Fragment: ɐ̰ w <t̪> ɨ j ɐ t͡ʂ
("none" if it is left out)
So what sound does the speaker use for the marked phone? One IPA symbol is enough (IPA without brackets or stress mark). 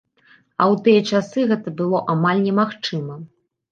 t̪